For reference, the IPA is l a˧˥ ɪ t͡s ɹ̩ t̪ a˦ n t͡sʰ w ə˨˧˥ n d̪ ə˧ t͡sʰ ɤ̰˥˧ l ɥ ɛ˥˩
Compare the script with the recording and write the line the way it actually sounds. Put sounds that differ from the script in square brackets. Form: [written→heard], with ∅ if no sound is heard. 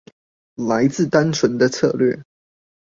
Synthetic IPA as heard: l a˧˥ ɪ t͡s ɹ̩ t̪ a˦ n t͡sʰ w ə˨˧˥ n d̪ ə˧ t͡sʰ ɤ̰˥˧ l ɥ ɛ˥˩